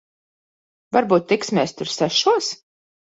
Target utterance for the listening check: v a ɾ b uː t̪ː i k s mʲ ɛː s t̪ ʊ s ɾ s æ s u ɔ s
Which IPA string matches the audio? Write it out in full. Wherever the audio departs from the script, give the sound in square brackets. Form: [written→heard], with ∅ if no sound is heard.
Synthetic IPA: v a ɾ b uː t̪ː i k s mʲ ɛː s t̪ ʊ [s→∅] ɾ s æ [s→ʃ] u ɔ s